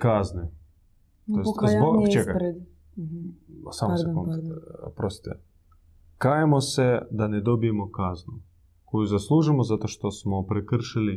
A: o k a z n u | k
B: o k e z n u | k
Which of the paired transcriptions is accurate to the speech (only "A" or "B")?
A